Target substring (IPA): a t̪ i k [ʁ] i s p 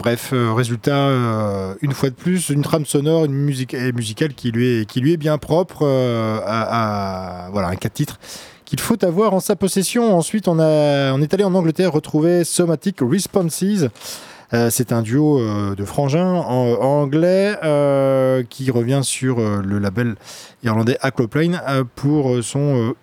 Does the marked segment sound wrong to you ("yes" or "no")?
no